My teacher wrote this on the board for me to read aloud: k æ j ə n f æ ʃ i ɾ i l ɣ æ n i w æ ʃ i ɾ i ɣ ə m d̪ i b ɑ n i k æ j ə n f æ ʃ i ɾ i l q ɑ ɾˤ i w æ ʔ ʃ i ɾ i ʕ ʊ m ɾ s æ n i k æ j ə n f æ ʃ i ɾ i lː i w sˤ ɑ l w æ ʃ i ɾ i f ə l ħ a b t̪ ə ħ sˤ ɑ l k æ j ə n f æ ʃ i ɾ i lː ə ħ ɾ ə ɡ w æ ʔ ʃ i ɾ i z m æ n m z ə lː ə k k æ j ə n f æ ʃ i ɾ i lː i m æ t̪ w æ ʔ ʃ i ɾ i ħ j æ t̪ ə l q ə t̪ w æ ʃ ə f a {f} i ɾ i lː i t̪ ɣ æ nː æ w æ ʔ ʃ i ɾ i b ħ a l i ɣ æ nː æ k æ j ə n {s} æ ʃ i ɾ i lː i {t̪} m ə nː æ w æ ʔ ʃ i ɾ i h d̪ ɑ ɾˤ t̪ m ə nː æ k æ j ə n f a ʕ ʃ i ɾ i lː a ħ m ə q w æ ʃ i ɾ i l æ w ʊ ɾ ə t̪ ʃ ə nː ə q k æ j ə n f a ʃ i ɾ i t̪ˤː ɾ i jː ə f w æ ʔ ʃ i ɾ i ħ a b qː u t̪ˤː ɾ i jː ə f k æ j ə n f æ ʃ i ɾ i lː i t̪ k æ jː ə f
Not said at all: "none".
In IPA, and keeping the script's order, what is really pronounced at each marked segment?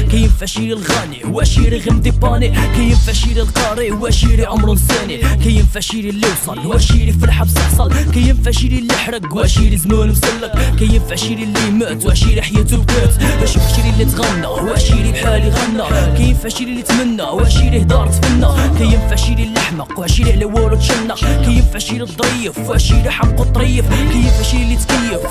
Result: ʃ, f, t̪

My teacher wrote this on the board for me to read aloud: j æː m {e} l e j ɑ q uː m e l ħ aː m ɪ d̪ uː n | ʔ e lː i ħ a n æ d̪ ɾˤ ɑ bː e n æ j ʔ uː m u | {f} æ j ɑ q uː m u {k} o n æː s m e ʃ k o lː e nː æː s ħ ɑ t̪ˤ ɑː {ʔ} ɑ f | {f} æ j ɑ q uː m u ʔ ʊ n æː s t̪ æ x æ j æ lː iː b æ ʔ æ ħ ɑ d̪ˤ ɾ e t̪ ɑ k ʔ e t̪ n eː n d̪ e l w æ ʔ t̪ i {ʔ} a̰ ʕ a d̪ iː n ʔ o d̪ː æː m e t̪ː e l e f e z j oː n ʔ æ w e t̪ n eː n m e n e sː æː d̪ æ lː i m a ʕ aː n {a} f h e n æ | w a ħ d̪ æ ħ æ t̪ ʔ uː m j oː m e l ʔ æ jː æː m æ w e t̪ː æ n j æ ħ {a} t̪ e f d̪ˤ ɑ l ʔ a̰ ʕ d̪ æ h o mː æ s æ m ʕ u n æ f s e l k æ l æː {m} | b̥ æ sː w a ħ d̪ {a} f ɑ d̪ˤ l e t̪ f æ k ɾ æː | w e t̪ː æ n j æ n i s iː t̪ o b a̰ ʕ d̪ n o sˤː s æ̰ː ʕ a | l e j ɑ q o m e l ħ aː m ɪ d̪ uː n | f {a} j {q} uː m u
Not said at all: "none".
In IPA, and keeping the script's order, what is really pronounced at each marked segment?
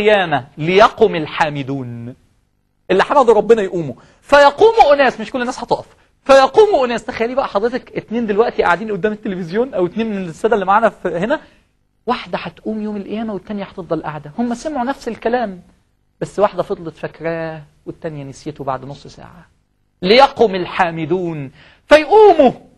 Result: æ, f, ʔ, ʔ, f, ʔ, æ, ɑ, m, æ, æ, ʔ

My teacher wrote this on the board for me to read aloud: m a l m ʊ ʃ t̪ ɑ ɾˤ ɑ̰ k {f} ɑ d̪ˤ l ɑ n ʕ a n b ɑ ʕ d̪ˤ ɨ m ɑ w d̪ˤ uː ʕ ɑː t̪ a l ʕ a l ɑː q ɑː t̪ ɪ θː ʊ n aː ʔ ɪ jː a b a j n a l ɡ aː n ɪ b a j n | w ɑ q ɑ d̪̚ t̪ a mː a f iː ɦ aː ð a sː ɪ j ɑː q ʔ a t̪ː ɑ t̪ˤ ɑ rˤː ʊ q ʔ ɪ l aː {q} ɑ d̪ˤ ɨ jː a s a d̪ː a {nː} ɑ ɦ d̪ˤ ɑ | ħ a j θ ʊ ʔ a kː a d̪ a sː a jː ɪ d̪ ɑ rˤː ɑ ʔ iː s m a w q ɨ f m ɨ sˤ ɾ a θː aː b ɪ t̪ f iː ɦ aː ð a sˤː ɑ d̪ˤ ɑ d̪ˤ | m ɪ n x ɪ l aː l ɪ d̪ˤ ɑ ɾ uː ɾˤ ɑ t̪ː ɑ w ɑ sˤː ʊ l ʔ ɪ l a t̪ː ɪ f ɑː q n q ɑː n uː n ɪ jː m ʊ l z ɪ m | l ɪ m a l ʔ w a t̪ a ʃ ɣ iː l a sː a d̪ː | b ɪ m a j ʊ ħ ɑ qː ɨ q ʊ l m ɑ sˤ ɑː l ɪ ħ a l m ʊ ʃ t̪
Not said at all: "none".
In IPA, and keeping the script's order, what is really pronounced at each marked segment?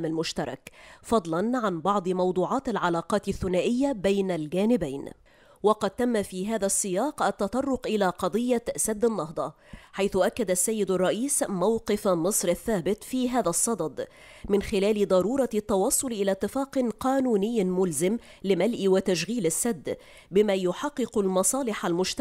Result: f, q, nː

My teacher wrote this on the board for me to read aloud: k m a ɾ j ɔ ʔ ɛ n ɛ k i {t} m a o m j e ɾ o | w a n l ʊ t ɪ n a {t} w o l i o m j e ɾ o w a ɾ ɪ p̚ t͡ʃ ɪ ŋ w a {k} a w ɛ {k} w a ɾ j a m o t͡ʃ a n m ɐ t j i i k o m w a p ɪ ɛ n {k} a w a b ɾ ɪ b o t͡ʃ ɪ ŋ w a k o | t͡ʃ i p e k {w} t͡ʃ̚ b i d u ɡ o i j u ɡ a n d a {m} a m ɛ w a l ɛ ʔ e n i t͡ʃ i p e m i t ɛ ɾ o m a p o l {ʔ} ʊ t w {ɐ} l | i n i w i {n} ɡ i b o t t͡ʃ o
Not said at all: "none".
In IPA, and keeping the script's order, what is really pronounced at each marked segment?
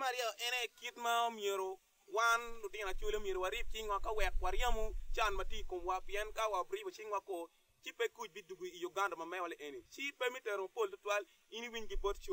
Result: t, t͡ʃ, k, k, k, u, m, t, a, ɲ

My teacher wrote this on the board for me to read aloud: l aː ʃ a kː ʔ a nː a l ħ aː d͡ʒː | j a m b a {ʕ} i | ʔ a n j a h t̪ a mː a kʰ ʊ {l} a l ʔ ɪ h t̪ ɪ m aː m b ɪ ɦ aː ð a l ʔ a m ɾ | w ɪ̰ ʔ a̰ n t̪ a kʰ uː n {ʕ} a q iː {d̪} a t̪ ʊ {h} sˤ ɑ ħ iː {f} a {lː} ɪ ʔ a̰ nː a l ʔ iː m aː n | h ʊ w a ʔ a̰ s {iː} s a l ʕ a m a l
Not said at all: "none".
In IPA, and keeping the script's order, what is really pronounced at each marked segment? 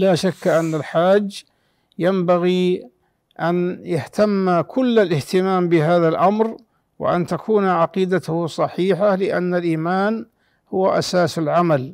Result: ɣ, lː, ʕ, d̪, h, ħ, l, aː

